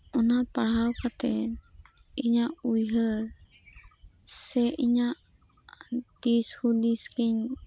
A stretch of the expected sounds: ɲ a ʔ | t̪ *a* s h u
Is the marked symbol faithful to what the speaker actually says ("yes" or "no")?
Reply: no